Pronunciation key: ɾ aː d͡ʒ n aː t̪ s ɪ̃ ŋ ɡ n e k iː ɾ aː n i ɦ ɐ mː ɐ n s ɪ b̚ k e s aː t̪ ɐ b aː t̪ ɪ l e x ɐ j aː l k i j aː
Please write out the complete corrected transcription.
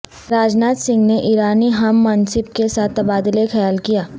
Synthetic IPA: ɾ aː d͡ʒ n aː t̪ s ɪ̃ ŋ ɡ n e ʔ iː ɾ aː n i ɦ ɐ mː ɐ n s ɪ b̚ k e s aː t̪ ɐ b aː d̪ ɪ l e x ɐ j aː l k i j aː